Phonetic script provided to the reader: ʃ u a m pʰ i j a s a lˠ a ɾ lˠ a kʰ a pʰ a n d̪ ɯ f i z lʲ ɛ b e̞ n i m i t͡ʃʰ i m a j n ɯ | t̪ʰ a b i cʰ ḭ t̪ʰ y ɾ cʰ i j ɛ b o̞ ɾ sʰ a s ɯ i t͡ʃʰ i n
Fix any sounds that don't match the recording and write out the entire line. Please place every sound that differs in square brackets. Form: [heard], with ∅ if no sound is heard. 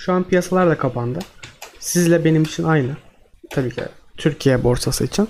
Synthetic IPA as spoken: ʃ u a [n] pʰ i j a s a lˠ a ɾ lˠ a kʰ a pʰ a n d̪ ɯ [s] i z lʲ ɛ b e̞ n i m i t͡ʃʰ i [n] a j n ɯ | t̪ʰ a b [iː] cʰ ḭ t̪ʰ y ɾ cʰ i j ɛ b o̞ ɾ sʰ a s ɯ i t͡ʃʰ i n